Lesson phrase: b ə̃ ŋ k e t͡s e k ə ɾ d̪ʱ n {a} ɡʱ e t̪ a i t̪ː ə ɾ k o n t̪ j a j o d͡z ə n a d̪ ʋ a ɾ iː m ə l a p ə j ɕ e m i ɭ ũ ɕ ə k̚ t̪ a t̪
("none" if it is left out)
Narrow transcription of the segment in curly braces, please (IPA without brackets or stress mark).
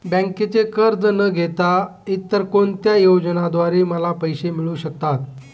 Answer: ə